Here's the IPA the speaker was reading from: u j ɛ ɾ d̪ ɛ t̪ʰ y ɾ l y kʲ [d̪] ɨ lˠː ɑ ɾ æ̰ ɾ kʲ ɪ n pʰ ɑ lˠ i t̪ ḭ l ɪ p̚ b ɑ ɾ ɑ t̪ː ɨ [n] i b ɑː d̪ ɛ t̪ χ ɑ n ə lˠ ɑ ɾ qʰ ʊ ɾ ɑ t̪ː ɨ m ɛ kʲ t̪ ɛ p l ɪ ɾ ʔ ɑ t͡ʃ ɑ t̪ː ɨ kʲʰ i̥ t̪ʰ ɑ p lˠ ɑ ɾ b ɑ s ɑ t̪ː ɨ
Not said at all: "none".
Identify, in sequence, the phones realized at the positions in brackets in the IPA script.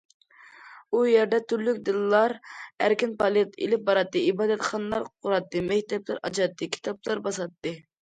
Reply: d̪, none

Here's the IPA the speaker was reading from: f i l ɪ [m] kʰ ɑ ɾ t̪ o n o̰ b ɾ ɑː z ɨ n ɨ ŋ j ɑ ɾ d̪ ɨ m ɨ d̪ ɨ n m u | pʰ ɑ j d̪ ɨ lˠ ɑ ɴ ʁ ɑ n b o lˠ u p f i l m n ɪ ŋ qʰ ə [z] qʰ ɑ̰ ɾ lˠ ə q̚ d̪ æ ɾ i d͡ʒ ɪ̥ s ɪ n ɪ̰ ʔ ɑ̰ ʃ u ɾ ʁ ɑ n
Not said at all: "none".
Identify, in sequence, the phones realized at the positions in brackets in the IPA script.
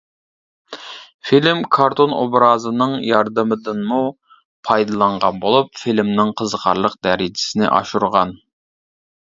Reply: m, z

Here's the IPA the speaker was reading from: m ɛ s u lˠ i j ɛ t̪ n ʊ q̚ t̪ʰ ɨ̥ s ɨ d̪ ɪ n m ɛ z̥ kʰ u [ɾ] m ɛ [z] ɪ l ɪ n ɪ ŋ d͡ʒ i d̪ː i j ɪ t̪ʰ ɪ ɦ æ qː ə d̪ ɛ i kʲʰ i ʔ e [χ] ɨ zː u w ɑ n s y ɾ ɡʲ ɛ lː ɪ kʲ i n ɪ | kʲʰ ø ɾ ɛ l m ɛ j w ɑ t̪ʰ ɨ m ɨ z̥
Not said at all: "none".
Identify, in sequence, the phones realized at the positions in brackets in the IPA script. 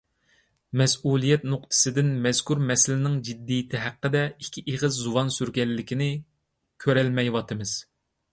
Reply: ɾ, s, ʁ

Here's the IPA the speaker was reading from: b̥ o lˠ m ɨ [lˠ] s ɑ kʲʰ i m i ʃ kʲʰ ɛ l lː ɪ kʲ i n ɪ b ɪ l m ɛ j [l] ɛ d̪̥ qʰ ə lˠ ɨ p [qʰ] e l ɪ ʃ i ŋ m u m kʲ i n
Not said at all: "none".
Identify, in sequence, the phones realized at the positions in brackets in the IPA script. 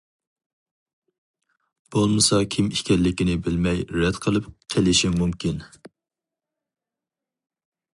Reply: none, ɾ, qʰ

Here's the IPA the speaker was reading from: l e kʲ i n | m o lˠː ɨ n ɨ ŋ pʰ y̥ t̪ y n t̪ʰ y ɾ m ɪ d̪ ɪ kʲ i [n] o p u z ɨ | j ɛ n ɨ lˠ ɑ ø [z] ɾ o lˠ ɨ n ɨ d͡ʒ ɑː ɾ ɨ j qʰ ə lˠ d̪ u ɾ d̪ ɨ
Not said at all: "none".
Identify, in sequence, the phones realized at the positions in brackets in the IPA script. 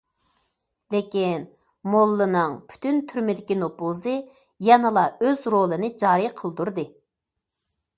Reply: n, z

